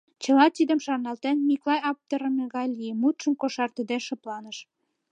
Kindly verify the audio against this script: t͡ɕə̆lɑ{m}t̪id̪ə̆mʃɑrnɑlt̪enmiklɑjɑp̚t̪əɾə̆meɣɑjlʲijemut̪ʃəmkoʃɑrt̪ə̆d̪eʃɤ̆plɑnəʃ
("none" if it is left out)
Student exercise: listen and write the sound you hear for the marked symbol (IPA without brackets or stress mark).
none